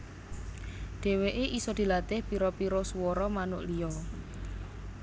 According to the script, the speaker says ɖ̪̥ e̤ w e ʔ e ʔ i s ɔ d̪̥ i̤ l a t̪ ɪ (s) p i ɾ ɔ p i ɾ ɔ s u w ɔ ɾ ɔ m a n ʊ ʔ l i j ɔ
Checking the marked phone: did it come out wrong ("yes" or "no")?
yes